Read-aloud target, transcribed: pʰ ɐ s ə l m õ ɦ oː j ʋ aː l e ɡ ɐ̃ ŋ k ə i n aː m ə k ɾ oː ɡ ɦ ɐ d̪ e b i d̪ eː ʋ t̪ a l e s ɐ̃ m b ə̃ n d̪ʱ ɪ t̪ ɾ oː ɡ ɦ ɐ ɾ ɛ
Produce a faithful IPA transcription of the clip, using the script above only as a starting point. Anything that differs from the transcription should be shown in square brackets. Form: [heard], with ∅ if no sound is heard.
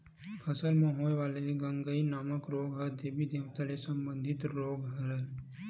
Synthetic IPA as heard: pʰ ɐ s ə l m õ ɦ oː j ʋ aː l e ɡ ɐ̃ ŋ [ɡ] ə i n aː m ə k ɾ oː ɡ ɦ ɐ d̪ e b i d̪ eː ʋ t̪ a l e s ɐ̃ m b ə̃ n d̪ʱ ɪ t̪ ɾ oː ɡ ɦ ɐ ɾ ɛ